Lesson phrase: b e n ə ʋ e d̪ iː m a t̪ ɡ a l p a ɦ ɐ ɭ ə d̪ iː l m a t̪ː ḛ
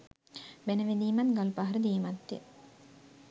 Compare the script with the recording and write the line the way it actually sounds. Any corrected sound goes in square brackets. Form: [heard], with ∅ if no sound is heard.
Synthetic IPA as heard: b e n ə ʋ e d̪ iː m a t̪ ɡ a l p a ɦ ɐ [ɾ] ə d̪ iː [∅] m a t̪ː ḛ